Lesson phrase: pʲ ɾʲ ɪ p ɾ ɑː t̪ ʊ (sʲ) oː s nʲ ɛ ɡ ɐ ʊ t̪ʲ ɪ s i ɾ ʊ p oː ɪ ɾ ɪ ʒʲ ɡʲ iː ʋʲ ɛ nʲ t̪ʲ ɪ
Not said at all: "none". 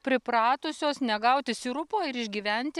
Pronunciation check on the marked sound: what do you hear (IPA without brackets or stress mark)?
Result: sʲ